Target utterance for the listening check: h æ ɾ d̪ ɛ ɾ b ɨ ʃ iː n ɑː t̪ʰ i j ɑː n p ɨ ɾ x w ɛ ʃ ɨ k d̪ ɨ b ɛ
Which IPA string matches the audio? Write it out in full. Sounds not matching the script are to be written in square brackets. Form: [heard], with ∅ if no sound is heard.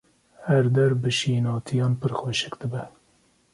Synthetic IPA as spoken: h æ ɾ d̪ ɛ ɾ b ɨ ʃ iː n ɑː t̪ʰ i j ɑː n p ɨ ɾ x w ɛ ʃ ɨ k d̪ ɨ b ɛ